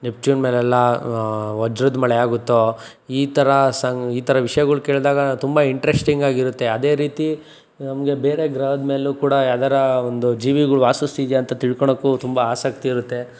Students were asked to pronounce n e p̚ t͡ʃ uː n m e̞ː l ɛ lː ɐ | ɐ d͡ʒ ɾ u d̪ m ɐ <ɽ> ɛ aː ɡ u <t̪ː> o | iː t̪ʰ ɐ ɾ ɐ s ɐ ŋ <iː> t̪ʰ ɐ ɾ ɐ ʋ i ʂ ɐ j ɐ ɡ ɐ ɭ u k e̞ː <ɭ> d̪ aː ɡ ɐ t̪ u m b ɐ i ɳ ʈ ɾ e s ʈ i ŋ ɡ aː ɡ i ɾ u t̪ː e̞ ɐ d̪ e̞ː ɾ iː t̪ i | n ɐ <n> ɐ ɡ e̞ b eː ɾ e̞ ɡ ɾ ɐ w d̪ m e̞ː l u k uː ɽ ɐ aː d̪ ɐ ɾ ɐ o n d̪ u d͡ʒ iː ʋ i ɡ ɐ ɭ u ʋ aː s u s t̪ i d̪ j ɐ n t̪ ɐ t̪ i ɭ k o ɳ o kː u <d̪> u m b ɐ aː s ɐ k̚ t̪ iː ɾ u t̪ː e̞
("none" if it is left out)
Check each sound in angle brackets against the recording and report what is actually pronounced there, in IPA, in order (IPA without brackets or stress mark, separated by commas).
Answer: ɭ, t̪ː, iː, ɭ, m, t̪